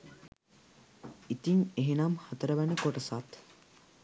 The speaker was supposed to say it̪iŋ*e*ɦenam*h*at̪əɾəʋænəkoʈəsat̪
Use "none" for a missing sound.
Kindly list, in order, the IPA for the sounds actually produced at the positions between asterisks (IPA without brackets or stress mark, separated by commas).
e, h